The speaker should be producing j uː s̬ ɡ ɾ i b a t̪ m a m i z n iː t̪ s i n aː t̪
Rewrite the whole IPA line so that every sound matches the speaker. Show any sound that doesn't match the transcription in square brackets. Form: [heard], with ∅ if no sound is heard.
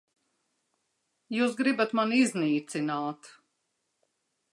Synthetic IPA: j uː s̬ ɡ ɾ i b a t̪ m a [n] i z n iː t̪ s i n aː t̪